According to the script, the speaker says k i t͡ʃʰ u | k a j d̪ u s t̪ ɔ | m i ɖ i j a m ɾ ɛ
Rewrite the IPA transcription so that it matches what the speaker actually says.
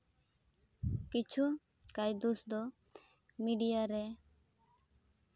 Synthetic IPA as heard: k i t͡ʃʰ u | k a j d̪ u s d̪ ɔ | m i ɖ i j a ɾ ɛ